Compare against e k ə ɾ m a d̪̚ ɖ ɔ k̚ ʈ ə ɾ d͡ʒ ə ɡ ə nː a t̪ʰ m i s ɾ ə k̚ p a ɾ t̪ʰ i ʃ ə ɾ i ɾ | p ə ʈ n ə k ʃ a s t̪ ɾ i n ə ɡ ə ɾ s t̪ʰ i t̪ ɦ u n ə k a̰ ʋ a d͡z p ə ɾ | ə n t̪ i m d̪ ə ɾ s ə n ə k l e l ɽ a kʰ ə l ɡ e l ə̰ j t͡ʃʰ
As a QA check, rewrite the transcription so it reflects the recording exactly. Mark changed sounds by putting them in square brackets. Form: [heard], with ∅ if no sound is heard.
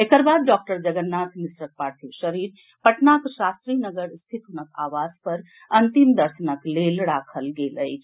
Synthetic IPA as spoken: e k ə ɾ [b] a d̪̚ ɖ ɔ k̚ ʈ ə ɾ d͡ʒ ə ɡ ə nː a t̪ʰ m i s ɾ ə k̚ p a ɾ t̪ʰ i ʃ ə ɾ i ɾ | p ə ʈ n [a] k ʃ a s t̪ ɾ i n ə ɡ ə ɾ s t̪ʰ i t̪ ɦ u n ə k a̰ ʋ a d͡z p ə ɾ | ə n t̪ i m d̪ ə ɾ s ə n ə k l e l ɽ a kʰ ə l ɡ e l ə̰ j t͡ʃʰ